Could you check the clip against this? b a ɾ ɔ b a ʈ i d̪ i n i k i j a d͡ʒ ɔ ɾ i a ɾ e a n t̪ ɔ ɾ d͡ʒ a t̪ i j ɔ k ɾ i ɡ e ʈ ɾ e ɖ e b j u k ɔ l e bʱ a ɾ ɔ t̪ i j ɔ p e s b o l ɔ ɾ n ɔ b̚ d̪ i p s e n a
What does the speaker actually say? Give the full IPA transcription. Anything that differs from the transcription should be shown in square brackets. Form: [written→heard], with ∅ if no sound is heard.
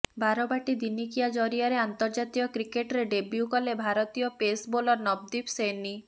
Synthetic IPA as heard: b a ɾ ɔ b a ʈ i d̪ i n i k i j a d͡ʒ ɔ ɾ i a ɾ e a n t̪ ɔ ɾ d͡ʒ a t̪ i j ɔ k ɾ i [ɡ→k] e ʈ ɾ e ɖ e b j u k ɔ l e bʱ a ɾ ɔ t̪ i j ɔ p e s b o l ɔ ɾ n ɔ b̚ d̪ i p s e n [a→i]